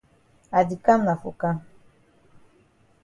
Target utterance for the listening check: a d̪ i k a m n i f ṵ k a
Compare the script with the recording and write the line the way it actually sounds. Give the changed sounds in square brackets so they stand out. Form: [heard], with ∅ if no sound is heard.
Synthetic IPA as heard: a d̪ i k a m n [a] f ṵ k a